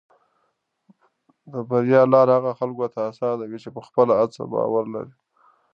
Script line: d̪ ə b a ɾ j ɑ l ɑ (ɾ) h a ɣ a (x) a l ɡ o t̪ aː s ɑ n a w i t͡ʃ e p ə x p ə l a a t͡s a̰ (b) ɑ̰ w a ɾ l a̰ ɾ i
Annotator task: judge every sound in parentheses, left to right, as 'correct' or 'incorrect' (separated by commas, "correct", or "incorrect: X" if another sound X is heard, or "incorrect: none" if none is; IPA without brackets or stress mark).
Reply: correct, correct, correct